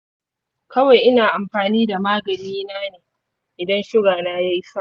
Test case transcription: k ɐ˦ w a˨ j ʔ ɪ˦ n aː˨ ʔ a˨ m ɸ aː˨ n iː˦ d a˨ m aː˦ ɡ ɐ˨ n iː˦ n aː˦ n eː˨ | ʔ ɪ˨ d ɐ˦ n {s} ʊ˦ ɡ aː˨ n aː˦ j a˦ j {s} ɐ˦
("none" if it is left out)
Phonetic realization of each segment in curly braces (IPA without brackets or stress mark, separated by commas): ʃ, s